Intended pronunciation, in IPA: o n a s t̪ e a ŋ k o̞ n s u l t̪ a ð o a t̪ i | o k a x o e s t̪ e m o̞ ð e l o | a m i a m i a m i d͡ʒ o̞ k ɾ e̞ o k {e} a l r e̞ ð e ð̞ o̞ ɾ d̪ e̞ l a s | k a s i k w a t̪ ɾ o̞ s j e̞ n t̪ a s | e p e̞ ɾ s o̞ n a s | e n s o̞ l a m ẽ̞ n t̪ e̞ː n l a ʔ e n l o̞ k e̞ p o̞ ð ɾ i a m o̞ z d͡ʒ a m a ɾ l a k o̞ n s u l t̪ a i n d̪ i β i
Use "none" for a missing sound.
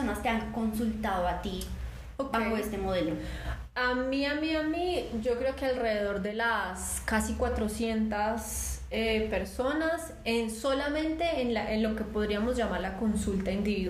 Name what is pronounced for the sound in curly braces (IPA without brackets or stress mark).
e